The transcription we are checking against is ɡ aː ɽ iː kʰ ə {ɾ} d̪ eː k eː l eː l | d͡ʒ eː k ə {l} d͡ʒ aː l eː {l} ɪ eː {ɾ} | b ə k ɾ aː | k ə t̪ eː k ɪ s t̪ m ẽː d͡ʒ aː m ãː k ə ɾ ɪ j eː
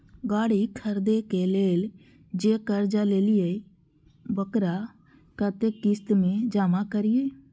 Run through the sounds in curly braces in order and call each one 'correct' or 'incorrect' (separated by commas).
correct, incorrect, correct, incorrect